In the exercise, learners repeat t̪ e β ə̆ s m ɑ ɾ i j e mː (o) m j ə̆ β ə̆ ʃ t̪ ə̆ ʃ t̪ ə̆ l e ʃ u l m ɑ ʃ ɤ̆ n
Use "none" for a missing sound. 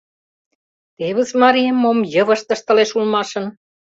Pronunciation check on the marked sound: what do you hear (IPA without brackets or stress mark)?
o